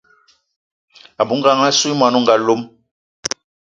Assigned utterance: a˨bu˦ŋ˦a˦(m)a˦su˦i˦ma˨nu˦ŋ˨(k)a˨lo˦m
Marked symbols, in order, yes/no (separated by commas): no, no